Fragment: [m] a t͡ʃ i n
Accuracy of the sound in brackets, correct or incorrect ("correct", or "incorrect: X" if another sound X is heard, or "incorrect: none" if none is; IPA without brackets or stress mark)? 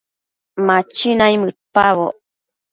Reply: correct